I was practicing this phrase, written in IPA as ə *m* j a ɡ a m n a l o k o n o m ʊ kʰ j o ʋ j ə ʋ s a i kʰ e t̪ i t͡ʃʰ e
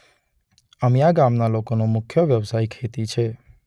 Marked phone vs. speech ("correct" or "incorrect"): correct